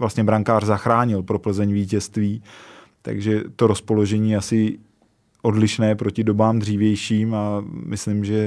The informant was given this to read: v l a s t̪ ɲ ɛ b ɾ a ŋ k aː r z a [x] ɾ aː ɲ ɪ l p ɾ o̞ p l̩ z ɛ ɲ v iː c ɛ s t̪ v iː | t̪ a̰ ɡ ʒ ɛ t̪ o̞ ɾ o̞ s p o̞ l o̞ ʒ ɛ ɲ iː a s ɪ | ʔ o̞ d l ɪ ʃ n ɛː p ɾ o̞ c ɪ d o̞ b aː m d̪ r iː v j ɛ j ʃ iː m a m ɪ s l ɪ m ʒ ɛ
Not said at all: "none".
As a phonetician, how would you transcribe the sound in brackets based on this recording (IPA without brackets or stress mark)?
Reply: x